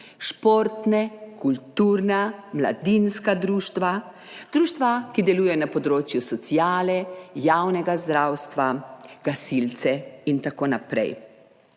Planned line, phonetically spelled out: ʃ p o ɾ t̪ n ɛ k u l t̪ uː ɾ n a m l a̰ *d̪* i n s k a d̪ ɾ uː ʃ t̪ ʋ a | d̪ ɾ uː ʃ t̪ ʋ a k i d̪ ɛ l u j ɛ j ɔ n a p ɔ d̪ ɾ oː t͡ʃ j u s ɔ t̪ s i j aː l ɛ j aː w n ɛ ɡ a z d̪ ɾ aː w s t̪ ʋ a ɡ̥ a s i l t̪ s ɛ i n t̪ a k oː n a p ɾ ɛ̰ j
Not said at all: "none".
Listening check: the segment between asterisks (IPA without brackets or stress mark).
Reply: d̪